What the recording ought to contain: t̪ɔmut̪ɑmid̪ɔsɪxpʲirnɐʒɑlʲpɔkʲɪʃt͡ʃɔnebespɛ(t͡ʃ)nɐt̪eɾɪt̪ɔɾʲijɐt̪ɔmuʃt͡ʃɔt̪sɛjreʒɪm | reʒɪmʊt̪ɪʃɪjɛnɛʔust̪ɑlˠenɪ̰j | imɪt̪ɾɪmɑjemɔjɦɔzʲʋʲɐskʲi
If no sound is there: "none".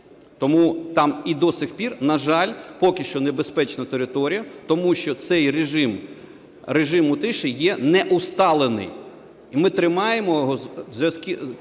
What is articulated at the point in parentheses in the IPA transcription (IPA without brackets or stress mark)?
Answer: t͡ʃ